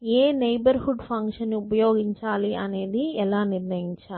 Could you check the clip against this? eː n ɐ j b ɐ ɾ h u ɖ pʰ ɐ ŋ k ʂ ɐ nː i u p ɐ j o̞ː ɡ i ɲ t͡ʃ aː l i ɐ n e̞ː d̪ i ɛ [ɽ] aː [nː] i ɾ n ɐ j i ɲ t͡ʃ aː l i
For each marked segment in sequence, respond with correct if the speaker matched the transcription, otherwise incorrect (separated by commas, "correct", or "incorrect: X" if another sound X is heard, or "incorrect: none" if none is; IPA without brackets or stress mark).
incorrect: l, incorrect: n